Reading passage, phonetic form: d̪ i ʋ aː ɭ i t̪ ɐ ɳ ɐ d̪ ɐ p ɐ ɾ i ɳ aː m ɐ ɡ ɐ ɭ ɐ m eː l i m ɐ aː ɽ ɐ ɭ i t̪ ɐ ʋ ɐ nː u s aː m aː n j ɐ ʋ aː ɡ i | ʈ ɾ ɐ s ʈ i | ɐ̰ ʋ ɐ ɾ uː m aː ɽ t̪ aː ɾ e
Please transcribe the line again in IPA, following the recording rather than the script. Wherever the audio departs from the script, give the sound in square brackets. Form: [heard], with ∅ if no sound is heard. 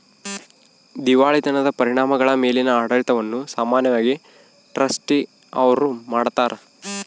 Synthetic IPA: d̪ i ʋ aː ɭ i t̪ ɐ [n] ɐ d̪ ɐ p ɐ ɾ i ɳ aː m ɐ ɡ ɐ ɭ ɐ m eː l i [n] ɐ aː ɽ ɐ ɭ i t̪ ɐ ʋ ɐ nː u s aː m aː n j ɐ ʋ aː ɡ i | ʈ ɾ ɐ s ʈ i | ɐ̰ ʋ ɐ ɾ [u] m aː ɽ t̪ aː ɾ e